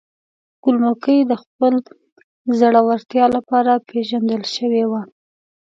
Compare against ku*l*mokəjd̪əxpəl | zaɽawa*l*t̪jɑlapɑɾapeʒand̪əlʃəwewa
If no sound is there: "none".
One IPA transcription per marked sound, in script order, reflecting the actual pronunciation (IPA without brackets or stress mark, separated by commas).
l, ɾ